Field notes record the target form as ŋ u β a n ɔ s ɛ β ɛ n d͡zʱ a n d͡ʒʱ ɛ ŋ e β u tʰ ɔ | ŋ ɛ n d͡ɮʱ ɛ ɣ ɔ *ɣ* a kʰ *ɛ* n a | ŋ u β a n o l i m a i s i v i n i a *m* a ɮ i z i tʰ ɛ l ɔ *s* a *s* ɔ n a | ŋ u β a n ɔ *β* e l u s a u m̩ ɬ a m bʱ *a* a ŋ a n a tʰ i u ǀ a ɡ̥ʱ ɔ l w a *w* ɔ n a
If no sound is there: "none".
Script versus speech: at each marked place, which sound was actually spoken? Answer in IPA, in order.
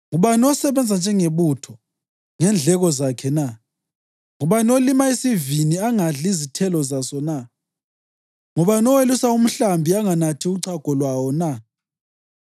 z, ɛ, ŋ, z, s, w, i, w

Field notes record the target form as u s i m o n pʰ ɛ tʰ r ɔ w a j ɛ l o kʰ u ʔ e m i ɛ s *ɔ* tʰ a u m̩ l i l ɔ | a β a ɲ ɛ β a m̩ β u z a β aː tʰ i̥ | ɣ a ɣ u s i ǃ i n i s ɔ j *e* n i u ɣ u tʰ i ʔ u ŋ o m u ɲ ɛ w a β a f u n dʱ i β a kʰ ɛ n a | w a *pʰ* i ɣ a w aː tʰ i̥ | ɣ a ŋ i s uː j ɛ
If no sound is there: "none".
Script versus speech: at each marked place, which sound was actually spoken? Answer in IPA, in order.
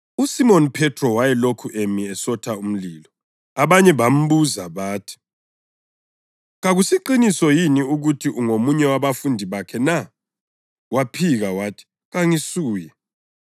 ɔ, i, pʰ

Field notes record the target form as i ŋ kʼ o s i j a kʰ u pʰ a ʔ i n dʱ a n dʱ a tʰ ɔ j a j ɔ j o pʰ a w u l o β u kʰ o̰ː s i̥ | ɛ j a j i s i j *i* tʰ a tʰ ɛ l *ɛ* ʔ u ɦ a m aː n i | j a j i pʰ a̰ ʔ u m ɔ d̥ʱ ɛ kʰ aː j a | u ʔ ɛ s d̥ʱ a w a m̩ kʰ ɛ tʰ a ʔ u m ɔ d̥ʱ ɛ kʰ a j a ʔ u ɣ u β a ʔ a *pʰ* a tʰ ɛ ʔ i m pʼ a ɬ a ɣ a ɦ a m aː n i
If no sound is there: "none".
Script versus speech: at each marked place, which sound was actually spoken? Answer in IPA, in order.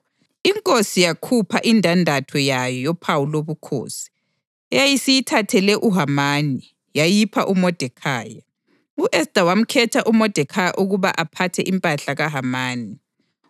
i, ɛ, pʰ

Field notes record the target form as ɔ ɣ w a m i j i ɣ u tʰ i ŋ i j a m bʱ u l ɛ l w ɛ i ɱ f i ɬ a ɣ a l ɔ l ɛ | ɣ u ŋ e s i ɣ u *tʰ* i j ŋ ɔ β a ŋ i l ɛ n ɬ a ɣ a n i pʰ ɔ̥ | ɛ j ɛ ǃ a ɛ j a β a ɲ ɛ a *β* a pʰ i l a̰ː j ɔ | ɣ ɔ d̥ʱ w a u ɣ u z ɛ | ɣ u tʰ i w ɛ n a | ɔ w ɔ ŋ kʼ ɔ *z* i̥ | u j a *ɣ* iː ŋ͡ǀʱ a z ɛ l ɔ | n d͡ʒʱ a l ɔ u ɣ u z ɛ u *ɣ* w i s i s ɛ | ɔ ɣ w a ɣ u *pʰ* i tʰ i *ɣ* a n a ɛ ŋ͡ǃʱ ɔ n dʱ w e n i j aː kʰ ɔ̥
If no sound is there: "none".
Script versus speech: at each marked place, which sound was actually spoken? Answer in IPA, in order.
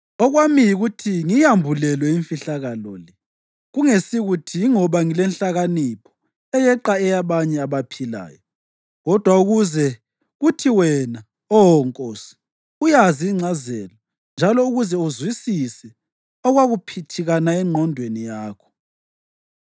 tʰ, β, s, z, z, pʰ, ɣ

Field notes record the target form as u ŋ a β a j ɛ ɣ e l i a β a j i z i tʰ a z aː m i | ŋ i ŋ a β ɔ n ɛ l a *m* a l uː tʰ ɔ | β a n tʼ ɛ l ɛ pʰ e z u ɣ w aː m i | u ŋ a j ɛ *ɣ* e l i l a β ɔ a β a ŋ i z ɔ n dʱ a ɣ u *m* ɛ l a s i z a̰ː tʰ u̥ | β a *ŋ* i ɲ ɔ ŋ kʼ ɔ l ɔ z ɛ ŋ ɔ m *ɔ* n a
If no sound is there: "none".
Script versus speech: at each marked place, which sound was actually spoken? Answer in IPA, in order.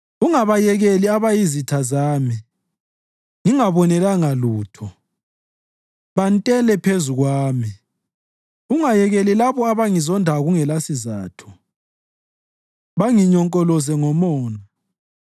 ŋ, ɣ, ŋ, ŋ, ɔː

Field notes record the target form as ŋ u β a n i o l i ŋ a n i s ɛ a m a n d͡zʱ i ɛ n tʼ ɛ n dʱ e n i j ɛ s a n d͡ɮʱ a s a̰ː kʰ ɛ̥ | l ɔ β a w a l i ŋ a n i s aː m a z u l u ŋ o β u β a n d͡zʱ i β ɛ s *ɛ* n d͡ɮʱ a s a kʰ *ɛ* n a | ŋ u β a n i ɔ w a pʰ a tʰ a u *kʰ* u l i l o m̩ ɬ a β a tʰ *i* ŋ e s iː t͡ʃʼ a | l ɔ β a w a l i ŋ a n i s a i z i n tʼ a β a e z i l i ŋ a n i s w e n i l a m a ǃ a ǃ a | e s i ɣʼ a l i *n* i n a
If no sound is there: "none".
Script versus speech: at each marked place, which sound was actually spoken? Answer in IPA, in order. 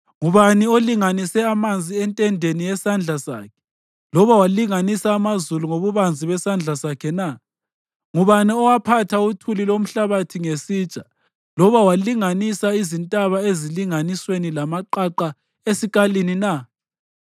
a, ɛ, tʰ, i, n

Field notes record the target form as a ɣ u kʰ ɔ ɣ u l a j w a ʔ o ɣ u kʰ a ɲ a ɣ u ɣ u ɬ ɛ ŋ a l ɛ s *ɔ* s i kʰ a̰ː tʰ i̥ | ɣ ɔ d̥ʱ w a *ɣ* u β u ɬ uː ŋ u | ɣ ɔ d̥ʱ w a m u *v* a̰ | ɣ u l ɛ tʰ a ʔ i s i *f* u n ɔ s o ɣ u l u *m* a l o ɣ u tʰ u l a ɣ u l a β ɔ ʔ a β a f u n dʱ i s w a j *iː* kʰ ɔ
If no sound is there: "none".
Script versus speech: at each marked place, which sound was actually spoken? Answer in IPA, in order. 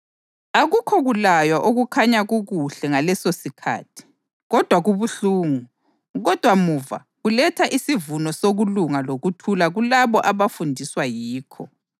o, ɣ, v, v, ŋ, iː

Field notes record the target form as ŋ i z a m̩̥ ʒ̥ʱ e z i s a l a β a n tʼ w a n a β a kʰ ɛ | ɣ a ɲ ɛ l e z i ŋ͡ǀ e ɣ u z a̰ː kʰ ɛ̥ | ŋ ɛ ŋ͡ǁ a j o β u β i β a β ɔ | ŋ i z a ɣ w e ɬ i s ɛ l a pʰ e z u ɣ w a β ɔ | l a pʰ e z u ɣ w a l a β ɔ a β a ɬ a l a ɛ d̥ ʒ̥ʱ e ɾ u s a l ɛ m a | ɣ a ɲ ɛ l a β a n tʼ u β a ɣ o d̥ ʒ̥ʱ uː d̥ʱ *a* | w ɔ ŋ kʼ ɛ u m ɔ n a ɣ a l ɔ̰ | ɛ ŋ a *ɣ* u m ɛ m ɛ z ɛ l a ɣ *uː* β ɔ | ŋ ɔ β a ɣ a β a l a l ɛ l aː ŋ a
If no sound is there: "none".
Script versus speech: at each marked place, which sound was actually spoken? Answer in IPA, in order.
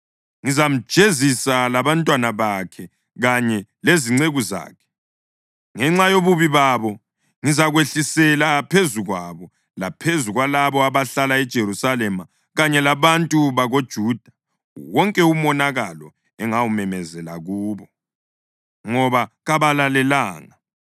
a, w, uː

